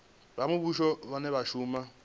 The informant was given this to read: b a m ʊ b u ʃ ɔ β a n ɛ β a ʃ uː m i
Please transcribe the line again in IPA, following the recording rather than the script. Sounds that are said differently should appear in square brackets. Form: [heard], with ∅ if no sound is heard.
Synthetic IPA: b a m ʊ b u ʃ ɔ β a n ɛ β a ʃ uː m [a]